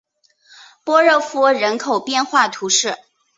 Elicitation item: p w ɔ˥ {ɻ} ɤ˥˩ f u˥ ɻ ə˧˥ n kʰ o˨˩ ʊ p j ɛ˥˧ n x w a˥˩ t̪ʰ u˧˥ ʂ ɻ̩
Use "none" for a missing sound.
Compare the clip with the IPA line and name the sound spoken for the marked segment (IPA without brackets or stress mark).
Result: ɻ